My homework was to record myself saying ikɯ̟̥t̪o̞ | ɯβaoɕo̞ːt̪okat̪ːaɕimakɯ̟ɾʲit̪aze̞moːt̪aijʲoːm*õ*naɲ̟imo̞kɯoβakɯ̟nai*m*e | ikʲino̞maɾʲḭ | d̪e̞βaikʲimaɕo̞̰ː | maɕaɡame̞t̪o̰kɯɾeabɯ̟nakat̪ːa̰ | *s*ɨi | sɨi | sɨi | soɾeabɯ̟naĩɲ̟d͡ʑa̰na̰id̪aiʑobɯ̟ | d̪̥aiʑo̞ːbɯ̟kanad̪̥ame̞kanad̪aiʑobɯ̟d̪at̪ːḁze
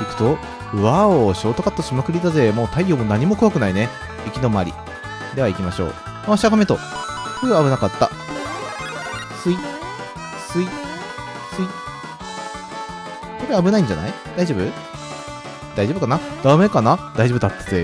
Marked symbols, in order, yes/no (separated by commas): no, no, yes